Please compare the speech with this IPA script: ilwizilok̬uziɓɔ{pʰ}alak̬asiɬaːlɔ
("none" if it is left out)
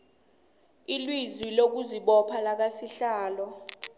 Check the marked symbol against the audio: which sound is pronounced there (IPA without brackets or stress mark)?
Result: pʰ